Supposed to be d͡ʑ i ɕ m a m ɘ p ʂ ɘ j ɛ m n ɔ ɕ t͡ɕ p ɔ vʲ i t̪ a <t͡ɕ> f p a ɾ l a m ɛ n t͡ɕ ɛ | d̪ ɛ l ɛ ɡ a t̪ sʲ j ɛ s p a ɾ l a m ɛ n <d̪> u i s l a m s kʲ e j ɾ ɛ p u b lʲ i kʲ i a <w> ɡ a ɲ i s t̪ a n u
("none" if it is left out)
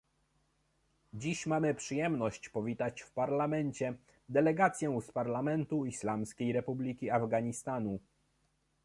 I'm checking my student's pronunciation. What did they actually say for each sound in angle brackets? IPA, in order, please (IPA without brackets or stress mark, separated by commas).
t͡ɕ, t̪, v